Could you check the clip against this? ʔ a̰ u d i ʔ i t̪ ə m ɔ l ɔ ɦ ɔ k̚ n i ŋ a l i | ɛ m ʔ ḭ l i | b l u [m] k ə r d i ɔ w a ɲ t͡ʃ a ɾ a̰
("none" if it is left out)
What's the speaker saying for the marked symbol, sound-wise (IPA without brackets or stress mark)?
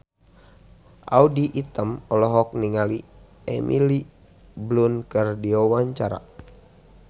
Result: n